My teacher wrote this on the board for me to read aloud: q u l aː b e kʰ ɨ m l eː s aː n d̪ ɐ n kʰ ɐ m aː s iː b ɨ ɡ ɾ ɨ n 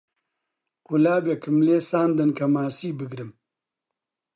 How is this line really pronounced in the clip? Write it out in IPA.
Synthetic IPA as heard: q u l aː b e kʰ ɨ m l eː s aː n d̪ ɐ n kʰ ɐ m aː s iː b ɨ ɡ ɾ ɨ m